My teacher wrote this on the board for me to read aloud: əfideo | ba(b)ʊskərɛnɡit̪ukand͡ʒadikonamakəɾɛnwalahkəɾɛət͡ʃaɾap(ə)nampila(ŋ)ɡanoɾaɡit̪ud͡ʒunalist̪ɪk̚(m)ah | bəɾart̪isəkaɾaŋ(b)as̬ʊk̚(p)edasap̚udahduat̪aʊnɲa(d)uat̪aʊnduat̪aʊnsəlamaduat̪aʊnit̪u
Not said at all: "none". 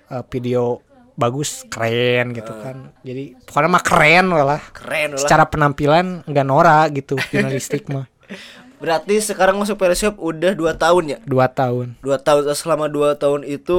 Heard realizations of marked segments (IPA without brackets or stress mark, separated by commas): ɡ, ə, n, m, m, p, d